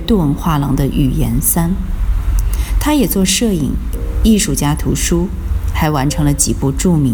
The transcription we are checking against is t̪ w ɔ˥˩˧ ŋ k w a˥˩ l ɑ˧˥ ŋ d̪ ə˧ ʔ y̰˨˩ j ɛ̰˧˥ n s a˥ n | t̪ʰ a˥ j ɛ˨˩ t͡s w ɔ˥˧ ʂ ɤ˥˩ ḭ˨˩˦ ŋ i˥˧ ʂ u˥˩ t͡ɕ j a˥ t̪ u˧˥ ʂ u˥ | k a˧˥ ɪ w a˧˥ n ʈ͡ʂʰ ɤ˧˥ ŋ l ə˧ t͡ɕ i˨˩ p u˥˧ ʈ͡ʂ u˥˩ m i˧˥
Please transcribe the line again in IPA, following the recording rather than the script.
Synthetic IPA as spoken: t̪ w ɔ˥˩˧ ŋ x w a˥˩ l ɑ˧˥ ŋ d̪ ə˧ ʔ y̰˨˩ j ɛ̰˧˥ n s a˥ n | t̪ʰ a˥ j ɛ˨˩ t͡s w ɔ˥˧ ʂ ɤ˥˩ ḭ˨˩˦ ŋ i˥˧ ʂ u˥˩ t͡ɕ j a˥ t̪ʰ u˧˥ ʂ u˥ | x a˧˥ ɪ w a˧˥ n ʈ͡ʂʰ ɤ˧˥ ŋ l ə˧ t͡ɕ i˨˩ p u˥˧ ʈ͡ʂ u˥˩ m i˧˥